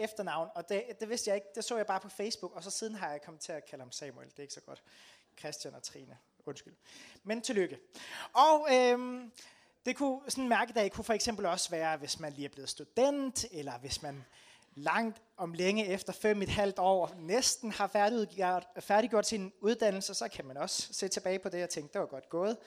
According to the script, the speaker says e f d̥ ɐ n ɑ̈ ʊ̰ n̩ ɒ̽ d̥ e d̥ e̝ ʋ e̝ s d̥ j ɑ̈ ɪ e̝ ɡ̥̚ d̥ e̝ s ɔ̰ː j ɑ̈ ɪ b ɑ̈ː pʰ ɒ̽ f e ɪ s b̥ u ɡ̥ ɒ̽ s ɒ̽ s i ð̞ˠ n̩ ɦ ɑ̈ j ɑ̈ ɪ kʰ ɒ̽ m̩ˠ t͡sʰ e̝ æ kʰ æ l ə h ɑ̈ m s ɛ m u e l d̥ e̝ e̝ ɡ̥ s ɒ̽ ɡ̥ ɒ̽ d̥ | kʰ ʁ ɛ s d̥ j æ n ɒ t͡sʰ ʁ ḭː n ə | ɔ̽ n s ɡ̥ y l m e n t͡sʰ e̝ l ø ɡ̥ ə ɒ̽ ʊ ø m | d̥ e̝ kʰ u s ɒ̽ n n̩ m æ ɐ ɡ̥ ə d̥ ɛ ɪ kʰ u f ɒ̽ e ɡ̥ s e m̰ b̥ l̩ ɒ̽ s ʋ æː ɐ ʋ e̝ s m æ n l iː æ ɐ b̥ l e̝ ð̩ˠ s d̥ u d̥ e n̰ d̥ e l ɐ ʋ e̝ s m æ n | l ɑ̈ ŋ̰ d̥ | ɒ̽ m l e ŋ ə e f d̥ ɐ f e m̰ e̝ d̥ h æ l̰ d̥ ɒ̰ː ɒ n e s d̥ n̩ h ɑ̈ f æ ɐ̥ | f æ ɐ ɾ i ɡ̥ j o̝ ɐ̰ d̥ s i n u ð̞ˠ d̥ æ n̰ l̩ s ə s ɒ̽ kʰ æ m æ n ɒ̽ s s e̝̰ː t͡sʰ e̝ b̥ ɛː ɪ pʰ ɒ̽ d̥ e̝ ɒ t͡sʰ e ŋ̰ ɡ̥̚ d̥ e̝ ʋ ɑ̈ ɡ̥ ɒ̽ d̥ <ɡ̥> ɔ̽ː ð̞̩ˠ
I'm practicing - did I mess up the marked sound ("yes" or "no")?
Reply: no